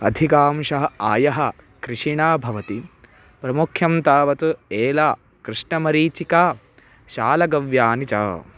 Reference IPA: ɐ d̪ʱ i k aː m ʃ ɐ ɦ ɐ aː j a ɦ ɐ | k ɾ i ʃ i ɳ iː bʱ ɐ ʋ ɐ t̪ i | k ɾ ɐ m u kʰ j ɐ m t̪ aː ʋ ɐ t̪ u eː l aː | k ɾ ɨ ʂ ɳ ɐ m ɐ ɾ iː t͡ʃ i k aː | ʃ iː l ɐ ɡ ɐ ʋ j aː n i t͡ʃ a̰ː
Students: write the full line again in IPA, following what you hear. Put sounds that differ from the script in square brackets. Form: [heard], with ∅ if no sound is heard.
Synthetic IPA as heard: ɐ d̪ʱ i k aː m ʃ ɐ ɦ ɐ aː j [ɐ] ɦ ɐ | k ɾ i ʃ i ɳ [aː] bʱ ɐ ʋ ɐ t̪ i | [p] ɾ ɐ m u kʰ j ɐ m t̪ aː ʋ ɐ t̪ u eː l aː | k ɾ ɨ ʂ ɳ ɐ m ɐ ɾ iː t͡ʃ i k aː | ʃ [aː] l ɐ ɡ ɐ ʋ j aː n i t͡ʃ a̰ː